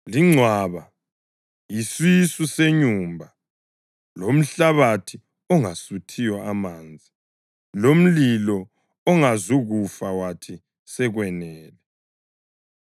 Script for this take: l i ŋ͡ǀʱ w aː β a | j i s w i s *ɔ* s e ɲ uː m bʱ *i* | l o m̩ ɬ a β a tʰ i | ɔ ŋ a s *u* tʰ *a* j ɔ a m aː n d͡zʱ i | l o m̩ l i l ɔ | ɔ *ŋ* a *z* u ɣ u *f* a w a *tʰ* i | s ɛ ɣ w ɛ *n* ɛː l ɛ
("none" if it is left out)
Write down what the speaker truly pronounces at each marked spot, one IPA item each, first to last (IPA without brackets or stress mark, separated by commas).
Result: u, a, u, i, ŋ, z, f, tʰ, n